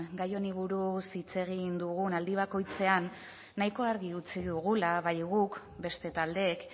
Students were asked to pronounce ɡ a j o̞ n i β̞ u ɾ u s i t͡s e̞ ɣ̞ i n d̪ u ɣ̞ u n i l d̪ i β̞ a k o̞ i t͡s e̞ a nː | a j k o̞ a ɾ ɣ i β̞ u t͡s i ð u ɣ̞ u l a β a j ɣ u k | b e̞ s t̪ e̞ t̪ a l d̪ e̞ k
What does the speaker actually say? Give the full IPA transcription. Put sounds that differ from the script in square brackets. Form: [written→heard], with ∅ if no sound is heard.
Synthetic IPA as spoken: ɡ a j o̞ n i β̞ u ɾ u s i t͡s e̞ ɣ̞ i n d̪ u ɣ̞ u n [i→a] l d̪ i β̞ a k o̞ [i→j] t͡s e̞ a nː | a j k o̞ a ɾ ɣ i [β̞→∅] u t͡s i ð u ɣ̞ u l a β a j ɣ u k | b e̞ s t̪ e̞ t̪ a l d̪ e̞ k